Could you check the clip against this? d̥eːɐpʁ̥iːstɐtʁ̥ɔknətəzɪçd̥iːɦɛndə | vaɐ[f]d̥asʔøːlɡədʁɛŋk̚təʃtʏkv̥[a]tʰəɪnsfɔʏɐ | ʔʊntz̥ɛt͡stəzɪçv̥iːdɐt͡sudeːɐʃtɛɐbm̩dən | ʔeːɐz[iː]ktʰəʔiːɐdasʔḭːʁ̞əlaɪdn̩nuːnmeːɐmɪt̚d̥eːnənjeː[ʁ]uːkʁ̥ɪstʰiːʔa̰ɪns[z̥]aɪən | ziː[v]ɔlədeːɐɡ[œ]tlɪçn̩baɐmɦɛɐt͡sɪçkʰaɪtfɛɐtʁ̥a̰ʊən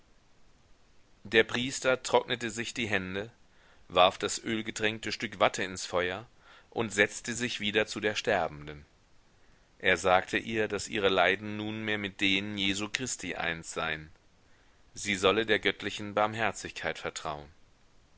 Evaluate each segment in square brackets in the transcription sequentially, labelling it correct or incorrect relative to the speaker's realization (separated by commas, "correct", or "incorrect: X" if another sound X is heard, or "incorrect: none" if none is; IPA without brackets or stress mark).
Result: correct, correct, incorrect: aː, incorrect: z, correct, incorrect: z, correct